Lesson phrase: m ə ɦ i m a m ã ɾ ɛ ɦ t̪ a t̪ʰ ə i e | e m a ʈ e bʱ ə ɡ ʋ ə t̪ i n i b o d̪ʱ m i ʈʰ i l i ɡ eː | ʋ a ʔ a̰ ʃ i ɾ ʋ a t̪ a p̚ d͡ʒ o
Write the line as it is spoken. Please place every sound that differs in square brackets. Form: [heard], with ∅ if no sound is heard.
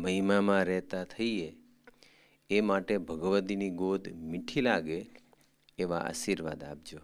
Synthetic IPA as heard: m ə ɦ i m a m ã ɾ ɛ ɦ t̪ a t̪ʰ ə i e | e m a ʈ e bʱ ə ɡ ʋ ə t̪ i n i [ɡ] o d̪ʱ m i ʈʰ i l [a] ɡ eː | ʋ a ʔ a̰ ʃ i ɾ ʋ a [d̪] a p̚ d͡ʒ o